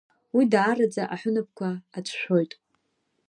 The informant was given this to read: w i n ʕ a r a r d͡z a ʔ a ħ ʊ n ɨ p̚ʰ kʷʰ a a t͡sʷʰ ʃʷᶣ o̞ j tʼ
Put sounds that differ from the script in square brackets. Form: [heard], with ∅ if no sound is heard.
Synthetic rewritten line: w i [d] ʕ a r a [∅] d͡z a ʔ a ħ ʊ n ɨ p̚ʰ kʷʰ a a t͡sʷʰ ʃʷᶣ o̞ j tʼ